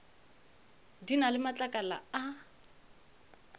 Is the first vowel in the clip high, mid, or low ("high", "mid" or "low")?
high